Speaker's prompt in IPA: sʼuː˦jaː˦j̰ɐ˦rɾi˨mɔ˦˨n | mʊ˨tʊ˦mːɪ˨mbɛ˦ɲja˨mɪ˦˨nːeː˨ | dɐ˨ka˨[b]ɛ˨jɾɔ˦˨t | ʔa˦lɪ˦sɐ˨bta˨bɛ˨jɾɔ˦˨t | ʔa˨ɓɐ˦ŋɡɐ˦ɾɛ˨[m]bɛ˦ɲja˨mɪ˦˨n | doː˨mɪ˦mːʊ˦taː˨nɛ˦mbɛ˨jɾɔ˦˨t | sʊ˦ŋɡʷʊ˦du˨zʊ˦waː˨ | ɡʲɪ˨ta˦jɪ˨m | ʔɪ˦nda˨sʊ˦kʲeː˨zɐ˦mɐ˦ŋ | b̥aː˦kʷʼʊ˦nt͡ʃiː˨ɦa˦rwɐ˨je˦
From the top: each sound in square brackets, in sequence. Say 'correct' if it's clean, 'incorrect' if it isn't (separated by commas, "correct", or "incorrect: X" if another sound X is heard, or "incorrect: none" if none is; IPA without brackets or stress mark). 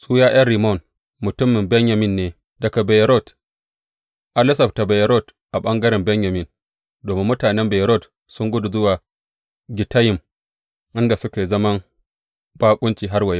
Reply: correct, correct